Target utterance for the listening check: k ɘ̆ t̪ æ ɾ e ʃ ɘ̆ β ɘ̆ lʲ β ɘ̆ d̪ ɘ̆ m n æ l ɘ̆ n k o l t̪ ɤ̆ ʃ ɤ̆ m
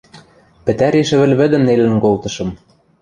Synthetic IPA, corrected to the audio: p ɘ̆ t̪ æ ɾ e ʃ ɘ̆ β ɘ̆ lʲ β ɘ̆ d̪ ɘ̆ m n e l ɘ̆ n k o l t̪ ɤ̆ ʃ ɤ̆ m